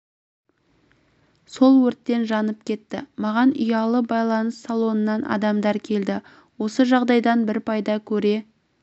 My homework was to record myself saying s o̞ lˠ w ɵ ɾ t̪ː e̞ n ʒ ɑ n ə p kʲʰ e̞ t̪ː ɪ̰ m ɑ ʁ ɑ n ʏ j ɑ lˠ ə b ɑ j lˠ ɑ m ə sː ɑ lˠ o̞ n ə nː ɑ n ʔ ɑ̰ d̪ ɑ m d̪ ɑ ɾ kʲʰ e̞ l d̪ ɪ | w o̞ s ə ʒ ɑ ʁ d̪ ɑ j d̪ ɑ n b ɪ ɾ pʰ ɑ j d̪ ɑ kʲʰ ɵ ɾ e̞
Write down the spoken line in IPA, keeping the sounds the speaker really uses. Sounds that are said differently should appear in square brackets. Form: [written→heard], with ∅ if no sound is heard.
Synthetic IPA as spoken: s o̞ lˠ w ɵ ɾ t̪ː e̞ n ʒ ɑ n ə p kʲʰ e̞ t̪ː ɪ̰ m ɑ ʁ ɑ n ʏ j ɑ lˠ ə b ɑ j lˠ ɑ [m→n] ə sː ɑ lˠ o̞ n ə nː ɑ n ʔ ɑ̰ d̪ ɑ m d̪ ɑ ɾ kʲʰ e̞ l d̪ ɪ | w o̞ s ə ʒ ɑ ʁ d̪ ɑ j d̪ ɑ n b ɪ ɾ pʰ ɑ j d̪ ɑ kʲʰ ɵ ɾ e̞